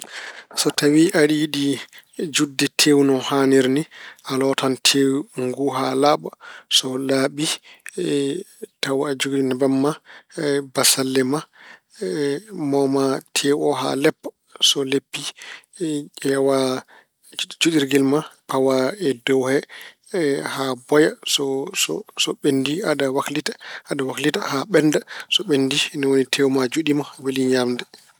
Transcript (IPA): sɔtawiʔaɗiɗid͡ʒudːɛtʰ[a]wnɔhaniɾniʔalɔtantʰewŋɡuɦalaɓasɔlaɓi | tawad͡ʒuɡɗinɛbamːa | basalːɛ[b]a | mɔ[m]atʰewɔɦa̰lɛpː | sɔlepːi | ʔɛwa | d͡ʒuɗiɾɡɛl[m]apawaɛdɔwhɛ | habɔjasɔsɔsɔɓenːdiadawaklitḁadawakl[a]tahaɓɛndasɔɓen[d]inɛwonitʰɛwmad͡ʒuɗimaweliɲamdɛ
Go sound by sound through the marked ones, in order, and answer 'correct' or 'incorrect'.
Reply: incorrect, incorrect, correct, correct, incorrect, correct

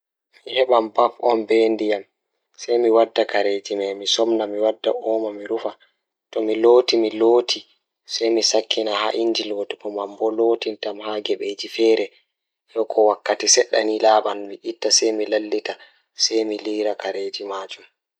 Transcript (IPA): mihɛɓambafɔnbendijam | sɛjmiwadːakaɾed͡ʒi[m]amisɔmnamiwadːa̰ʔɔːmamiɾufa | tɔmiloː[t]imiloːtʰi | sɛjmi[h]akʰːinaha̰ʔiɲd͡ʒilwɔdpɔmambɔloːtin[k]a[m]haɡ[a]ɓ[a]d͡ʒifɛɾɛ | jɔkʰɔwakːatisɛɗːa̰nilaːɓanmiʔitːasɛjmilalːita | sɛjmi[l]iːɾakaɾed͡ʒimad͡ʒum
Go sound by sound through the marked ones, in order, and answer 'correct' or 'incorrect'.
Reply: correct, correct, incorrect, incorrect, correct, incorrect, incorrect, correct

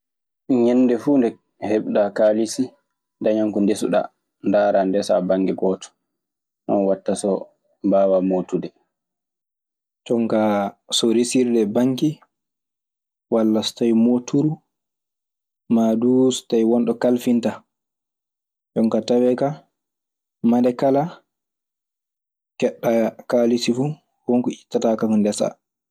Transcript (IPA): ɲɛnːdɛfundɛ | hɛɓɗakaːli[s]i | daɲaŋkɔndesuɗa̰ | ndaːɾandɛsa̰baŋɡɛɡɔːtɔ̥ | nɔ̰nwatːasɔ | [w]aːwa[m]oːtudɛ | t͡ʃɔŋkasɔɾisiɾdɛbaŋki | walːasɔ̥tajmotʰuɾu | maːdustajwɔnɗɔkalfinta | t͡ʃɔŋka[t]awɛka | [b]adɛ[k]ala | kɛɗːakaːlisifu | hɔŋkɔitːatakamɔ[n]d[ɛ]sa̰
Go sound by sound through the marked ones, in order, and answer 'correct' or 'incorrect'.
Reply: correct, incorrect, correct, correct, incorrect, correct, correct, correct

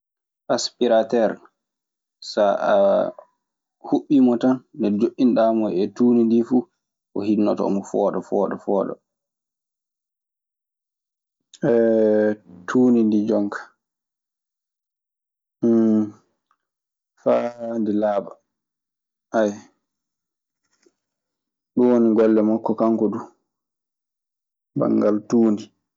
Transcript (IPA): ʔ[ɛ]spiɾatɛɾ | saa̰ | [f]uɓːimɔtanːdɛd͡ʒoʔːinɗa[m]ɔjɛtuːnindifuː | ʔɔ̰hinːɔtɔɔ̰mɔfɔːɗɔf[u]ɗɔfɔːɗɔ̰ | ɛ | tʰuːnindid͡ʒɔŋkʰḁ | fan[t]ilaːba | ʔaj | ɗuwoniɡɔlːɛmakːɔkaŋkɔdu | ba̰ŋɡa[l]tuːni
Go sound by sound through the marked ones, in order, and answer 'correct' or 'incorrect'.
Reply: incorrect, incorrect, correct, incorrect, incorrect, correct

